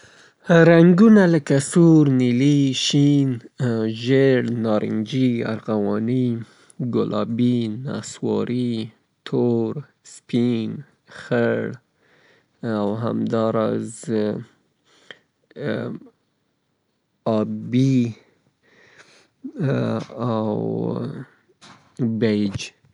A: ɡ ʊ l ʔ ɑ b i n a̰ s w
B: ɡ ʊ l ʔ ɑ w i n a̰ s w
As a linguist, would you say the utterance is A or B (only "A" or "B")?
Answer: A